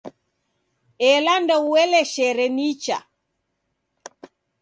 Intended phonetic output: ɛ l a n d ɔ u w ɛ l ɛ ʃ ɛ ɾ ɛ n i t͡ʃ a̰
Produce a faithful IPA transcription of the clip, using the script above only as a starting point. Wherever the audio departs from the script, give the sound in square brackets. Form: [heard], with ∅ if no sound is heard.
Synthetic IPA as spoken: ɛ l a n d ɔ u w ɛ l ɛ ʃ ɛ ɾ ɛ n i t͡ʃ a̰